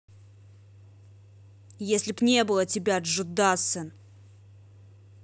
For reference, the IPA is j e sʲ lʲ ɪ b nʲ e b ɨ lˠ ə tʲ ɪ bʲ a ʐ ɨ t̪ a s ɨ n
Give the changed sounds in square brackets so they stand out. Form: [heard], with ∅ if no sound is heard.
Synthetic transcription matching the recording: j e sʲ lʲ ɪ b nʲ e b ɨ lˠ ə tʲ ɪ bʲ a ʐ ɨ [d̪] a s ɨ n